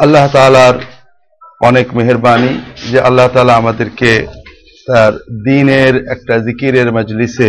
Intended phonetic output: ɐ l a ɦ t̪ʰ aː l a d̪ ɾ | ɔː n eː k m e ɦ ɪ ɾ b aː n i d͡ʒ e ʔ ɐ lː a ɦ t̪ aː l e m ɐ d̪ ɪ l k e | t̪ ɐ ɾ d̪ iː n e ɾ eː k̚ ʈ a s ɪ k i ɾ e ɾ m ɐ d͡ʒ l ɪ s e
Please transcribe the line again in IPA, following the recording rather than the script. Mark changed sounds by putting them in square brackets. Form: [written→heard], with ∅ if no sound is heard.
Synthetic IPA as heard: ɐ [l→lː] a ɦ [t̪ʰ→t̪] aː l a [d̪→∅] ɾ | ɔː n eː k m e ɦ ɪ ɾ b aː n i d͡ʒ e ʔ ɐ lː a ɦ t̪ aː l [e→a] m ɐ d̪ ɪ [l→ɾ] k e | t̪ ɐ ɾ d̪ iː n e ɾ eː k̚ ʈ a [s→z] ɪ k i ɾ e ɾ m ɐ d͡ʒ l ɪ s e